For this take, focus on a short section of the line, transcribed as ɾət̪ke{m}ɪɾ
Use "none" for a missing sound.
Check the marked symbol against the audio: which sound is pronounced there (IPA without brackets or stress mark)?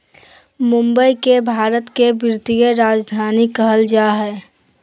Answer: b